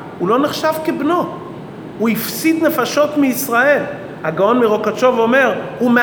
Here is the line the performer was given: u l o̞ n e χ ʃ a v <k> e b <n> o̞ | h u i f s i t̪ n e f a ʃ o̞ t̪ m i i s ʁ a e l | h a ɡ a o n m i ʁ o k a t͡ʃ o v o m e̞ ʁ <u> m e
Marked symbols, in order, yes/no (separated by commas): yes, yes, yes